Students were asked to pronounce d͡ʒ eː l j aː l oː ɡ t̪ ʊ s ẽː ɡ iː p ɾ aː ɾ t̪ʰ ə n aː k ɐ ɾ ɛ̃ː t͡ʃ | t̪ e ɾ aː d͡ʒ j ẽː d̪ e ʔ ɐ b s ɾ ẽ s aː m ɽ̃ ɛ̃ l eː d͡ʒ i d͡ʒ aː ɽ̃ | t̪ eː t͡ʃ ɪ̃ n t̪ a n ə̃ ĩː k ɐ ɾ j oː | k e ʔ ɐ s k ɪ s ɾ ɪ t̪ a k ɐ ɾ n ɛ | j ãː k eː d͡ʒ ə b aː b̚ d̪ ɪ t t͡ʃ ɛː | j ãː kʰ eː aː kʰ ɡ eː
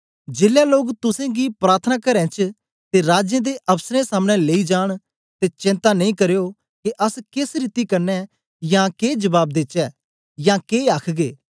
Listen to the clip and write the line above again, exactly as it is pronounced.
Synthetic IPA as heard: d͡ʒ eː l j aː l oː ɡ t̪ ʊ s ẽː ɡ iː p ɾ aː ɾ t̪ʰ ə n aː k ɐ ɾ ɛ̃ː t͡ʃ | t̪ e ɾ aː d͡ʒ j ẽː d̪ e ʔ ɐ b s ɾ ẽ s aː m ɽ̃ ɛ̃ l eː i d͡ʒ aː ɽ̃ | t̪ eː t͡ʃ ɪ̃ n t̪ a n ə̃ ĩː k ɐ ɾ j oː | k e ʔ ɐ s k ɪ s ɾ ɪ t̪ i k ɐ ɾ n ɛ | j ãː k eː d͡ʒ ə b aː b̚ d̪ ɪ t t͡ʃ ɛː | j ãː k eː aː kʰ ɡ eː